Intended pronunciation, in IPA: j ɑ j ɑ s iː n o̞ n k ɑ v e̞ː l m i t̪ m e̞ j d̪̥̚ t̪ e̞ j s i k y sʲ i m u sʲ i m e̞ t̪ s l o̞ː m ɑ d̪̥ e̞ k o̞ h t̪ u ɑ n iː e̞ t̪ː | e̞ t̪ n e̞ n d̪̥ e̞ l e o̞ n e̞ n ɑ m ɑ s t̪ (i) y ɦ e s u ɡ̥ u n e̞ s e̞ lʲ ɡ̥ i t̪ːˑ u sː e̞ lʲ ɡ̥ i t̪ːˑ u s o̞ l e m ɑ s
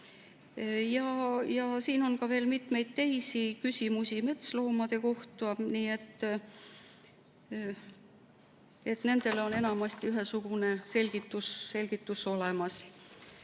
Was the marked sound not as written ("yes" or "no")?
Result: no